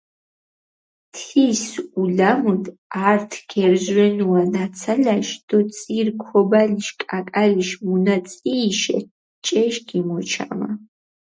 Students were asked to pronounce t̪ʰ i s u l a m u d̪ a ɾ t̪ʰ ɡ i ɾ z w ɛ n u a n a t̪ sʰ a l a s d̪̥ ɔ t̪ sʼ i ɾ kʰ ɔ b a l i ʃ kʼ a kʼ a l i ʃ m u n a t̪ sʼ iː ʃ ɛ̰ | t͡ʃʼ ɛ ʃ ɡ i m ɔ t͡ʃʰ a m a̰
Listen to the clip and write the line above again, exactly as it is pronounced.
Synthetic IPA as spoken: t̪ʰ i s u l a m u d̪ a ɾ t̪ʰ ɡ ɛ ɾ z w ɛ n u a n a t̪ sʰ a l a ʃ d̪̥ ɔ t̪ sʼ i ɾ kʰ ɔ b a l i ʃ kʼ a kʼ a l i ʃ m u n a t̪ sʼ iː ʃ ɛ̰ | t͡ʃʼ ɛ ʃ ɡ i m ɔ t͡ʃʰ a m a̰